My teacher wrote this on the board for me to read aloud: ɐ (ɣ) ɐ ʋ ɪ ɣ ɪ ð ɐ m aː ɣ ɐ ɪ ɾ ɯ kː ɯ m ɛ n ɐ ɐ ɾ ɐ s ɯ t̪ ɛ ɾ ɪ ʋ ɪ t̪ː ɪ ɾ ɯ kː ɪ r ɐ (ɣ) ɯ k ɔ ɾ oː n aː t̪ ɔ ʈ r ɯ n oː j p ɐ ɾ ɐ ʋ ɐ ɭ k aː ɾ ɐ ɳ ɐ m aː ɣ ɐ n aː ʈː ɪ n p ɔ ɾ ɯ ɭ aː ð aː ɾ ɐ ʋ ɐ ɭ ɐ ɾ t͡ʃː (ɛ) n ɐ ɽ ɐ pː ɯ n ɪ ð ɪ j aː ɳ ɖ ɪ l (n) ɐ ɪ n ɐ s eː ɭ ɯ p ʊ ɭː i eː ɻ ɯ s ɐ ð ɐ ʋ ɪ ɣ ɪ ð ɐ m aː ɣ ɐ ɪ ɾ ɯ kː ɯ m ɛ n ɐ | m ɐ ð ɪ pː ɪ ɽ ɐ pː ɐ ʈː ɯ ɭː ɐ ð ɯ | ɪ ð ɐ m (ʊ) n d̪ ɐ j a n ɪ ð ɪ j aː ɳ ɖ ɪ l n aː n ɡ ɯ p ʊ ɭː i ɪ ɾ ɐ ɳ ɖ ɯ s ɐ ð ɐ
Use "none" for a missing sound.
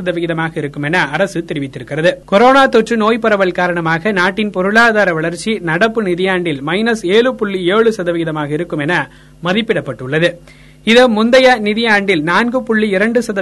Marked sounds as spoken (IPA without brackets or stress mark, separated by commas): ð, ð, i, m, ʊ